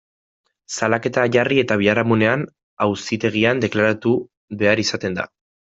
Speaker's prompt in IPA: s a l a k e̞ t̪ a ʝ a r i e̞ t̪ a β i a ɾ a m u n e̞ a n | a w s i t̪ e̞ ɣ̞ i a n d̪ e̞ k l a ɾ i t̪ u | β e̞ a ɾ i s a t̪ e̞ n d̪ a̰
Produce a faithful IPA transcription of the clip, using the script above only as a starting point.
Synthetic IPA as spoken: s a l a k e̞ t̪ a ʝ a r i e̞ t̪ a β i a ɾ a m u n e̞ a n | a w s i t̪ e̞ ɣ̞ i a n d̪ e̞ k l a ɾ a t̪ u | β e̞ a ɾ i s a t̪ e̞ n d̪ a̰